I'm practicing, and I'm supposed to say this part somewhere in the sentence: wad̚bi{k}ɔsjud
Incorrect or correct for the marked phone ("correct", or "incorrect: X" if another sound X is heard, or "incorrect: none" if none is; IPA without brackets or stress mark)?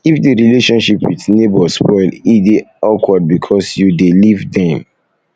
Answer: incorrect: kʰ